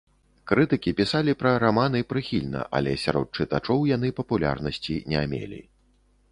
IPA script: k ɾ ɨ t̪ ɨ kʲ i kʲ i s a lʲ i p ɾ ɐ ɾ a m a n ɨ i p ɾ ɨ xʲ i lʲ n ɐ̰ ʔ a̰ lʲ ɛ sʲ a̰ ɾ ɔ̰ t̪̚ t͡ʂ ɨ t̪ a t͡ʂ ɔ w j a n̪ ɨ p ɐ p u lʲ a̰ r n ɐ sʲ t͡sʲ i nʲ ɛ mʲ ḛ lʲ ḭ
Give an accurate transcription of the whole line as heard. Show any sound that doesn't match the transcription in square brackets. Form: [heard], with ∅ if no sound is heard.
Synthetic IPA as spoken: k ɾ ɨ t̪ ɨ kʲ i [pʲ] i s a lʲ i p ɾ ɐ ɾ a m a n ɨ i p ɾ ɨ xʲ i lʲ n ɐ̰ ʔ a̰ lʲ ɛ sʲ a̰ ɾ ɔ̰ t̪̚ t͡ʂ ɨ t̪ a t͡ʂ ɔ w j a n̪ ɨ p ɐ p u lʲ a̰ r n ɐ sʲ t͡sʲ i nʲ ɛ mʲ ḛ lʲ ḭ